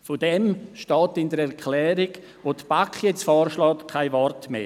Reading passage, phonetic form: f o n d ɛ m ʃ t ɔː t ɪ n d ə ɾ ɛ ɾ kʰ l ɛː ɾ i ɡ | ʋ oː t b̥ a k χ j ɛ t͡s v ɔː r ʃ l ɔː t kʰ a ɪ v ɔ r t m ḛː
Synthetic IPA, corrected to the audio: f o d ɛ m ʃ t ɔː t ɪ n d ə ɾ ɛ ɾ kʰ l ɛː ɾ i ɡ | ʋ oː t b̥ a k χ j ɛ t͡s f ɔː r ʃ l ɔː t kʰ a ɪ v ɔ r t m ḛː